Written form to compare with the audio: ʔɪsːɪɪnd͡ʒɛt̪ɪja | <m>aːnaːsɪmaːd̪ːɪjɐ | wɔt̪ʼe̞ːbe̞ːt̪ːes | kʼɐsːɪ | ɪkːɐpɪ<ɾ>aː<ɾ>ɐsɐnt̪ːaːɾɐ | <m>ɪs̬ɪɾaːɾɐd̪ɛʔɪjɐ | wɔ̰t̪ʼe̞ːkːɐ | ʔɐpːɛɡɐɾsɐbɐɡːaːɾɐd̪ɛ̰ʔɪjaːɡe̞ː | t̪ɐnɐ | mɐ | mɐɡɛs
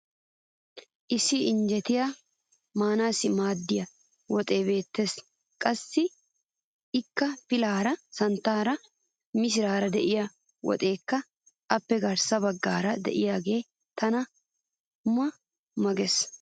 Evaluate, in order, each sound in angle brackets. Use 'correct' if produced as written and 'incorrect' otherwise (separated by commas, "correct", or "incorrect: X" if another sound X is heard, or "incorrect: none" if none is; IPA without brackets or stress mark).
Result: correct, incorrect: l, correct, correct